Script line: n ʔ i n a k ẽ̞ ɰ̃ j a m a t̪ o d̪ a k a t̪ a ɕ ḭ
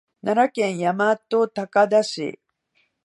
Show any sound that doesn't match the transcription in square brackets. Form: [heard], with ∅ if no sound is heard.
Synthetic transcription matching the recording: n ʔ [a] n a k ẽ̞ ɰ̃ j a m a t̪ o [t̪] a k a [d̪] a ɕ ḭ